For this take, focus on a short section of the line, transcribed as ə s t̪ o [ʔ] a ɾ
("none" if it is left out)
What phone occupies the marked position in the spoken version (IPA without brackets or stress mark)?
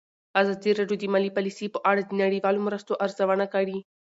ʔ